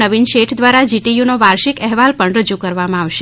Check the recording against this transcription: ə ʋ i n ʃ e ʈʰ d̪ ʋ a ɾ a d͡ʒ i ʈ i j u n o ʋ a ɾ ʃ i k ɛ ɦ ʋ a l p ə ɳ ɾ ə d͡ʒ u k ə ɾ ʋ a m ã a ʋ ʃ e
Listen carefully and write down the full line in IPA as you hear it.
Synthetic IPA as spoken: ə ʋ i n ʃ e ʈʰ d̪ ʋ a ɾ a d͡ʒ i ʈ i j u n o ʋ a ɾ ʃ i k ɛ ɦ ʋ a l p ə ɳ ɾ ə d͡ʒ u k ə ɾ ʋ a m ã a ʋ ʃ e

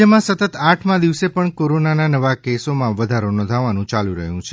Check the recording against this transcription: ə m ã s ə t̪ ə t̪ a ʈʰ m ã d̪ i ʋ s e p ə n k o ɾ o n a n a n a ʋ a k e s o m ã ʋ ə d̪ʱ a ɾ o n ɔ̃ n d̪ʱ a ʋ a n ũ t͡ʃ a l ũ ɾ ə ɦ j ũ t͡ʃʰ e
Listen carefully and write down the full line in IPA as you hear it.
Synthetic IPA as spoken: ə m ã s ə t̪ ə t̪ a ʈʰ m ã d̪ i ʋ s e p ə ɳ k o ɾ o n a n a n ə ʋ a k e s o m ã ʋ ə d̪ʱ a ɾ o n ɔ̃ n d̪ʱ a ʋ a n ũ t͡ʃ a l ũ ɾ ə ɦ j ũ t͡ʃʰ e

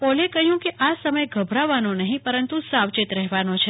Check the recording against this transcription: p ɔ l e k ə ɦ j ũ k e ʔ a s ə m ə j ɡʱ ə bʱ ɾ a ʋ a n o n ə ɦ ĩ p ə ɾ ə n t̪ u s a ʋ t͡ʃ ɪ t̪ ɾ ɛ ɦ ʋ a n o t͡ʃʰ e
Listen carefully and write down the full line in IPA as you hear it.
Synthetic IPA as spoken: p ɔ l e k ə ɦ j ũ k e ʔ a s ə m ə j ɡʱ ə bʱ ɾ a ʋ a n o n ə ɦ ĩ p ə ɾ ə n t̪ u s a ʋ t͡ʃ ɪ t̪ ɾ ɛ ɦ ʋ a n o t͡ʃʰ e

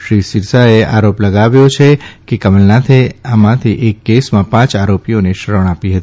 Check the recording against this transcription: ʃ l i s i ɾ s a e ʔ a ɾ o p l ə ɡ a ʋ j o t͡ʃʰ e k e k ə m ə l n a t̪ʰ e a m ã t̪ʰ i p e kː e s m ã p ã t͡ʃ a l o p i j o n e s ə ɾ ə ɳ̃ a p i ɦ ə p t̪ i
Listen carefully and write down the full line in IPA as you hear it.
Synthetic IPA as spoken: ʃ ɾ i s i ɾ s a e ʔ a ɾ o p l ə ɡ a ʋ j o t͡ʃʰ e k e k ə m ə l n a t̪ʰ e a m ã t̪ʰ i ʔ e kː e s m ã p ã t͡ʃ a ɾ o p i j o n e ʃ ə ɾ ə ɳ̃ a p i ɦ ə t̪ i

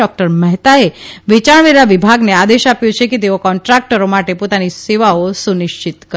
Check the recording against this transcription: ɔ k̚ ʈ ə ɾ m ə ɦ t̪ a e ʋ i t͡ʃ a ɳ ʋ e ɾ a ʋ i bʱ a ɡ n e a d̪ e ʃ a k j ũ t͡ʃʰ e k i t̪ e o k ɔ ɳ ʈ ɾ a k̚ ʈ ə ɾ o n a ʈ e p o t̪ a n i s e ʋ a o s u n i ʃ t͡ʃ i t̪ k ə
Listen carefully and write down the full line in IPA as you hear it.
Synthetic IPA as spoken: ɔ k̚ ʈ ə ɾ m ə ɦ t̪ a e ʋ i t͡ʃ a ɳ ʋ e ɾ a ʋ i bʱ a ɡ n e a d̪ e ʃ a p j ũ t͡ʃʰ e k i t̪ e o k ɔ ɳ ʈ ɾ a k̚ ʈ ə ɾ o m a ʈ e p o t̪ a n i s e ʋ a o s u n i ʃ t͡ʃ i t̪ k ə

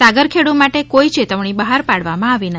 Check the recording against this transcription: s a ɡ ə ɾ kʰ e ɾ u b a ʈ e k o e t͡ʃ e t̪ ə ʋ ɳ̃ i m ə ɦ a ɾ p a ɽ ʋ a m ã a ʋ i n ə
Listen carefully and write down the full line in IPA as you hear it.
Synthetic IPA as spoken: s a ɡ ə ɾ kʰ e ɽ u m a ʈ e k o i t͡ʃ e t̪ ə ʋ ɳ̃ i b ə ɦ a ɾ p a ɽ ʋ a m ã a ʋ i n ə

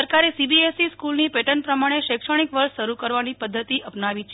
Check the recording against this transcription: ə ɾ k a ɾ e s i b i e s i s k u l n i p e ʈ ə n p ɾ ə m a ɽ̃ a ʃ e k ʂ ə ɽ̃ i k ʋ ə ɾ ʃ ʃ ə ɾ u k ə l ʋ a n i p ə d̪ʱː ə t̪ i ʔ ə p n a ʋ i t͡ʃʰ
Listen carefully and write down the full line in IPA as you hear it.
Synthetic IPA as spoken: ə ɾ k a ɾ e s i b i e s i s k u l n i p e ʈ ə n p ɾ ə m a ɽ̃ e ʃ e k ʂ ə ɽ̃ i k ʋ ə ɾ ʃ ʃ ə ɾ u k ə ɾ ʋ a n i p ə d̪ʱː ə t̪ i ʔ ə p n a ʋ i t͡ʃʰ

